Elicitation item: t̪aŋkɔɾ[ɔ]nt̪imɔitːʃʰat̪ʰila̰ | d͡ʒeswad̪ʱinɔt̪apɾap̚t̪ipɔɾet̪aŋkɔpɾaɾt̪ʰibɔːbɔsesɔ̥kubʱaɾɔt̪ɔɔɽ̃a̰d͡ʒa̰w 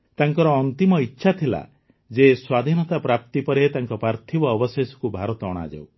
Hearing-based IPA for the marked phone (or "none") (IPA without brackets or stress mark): ɔː